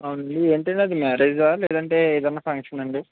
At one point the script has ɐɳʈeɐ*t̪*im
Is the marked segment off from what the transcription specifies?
yes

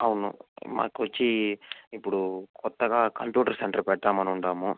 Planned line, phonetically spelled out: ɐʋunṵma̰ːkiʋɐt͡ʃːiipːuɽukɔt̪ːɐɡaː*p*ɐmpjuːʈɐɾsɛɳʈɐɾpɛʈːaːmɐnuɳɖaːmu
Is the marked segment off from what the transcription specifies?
yes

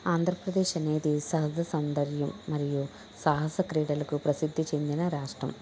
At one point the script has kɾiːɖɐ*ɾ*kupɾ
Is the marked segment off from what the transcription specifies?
yes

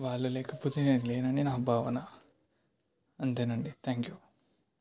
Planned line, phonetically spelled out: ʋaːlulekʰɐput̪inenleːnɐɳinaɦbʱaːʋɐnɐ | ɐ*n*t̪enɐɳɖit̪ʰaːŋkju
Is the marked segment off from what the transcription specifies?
no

